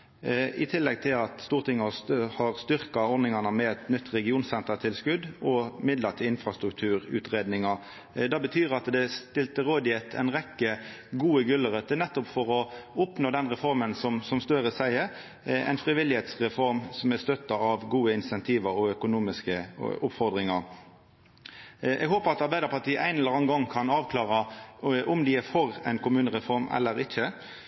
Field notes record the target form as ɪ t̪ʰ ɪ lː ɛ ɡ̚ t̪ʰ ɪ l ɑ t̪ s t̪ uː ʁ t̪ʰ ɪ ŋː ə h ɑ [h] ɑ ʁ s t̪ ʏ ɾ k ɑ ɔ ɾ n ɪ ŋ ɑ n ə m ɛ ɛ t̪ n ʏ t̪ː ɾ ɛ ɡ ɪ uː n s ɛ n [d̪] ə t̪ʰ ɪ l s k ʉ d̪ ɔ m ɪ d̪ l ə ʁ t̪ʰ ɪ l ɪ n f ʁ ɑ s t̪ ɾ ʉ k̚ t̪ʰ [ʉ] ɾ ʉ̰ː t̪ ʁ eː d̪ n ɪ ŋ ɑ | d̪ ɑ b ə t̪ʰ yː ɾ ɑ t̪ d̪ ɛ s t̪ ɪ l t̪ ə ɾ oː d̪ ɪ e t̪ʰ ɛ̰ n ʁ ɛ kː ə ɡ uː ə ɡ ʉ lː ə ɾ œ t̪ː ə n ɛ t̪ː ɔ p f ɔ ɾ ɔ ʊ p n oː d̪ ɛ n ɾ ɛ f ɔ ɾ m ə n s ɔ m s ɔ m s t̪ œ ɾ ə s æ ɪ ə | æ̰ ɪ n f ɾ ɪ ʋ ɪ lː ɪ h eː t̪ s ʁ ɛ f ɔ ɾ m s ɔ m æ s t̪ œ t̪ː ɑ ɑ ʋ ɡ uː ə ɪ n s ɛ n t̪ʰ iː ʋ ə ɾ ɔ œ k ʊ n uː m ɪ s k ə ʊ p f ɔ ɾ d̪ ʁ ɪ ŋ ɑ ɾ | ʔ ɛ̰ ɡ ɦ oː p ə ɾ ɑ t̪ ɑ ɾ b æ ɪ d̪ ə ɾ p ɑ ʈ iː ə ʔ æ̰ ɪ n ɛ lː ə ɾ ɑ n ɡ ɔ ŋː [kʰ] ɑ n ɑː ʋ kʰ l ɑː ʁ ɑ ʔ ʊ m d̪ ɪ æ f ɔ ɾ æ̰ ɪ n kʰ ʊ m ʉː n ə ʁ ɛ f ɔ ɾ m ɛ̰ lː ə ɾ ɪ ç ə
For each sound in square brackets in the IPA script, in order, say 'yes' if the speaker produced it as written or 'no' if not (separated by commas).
yes, no, no, yes